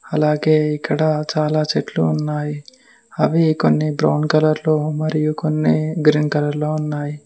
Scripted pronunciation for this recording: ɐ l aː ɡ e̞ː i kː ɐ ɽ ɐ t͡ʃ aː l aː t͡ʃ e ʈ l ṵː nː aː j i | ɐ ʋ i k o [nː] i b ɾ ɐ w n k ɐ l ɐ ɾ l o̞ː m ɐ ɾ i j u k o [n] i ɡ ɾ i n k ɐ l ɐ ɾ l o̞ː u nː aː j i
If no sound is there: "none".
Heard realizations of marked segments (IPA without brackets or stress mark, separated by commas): nː, nː